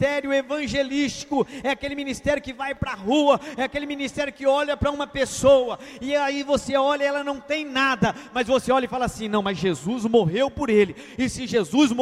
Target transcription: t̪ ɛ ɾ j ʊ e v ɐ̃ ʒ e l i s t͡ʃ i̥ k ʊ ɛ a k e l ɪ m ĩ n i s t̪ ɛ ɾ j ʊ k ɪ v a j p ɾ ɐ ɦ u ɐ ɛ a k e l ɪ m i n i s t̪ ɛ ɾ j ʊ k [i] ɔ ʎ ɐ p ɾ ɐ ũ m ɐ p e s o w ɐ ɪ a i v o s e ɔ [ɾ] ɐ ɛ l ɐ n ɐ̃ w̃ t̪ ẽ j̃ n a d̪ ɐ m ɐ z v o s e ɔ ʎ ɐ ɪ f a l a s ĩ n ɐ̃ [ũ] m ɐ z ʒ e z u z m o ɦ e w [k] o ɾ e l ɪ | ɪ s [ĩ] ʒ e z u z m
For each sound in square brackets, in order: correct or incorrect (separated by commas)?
incorrect, incorrect, incorrect, incorrect, correct